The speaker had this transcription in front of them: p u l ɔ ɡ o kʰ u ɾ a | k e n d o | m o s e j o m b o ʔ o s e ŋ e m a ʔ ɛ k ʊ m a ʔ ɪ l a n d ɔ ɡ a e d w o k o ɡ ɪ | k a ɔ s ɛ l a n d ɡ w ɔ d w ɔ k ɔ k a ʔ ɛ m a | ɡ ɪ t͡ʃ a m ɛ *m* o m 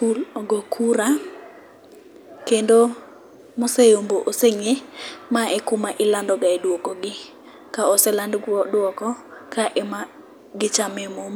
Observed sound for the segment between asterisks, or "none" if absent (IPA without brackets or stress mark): m